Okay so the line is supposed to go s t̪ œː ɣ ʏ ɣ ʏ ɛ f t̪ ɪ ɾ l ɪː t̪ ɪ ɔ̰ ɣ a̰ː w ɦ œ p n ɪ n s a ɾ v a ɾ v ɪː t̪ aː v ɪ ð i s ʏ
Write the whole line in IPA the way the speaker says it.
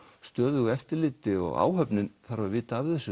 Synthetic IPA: s t̪ œː ð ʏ ɣ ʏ ɛ f t̪ ɪ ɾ l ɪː t̪ ɪ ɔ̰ ɣ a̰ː w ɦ œ p n ɪ n θ a ɾ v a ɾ v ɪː t̪ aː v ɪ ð ɛ s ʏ